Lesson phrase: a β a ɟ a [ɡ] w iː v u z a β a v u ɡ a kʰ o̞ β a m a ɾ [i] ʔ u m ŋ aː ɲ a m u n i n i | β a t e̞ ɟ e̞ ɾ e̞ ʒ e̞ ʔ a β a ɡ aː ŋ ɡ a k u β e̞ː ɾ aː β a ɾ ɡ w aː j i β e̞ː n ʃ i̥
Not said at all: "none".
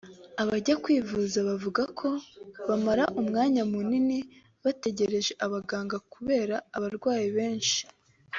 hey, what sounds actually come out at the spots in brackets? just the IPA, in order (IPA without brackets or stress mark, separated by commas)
k, a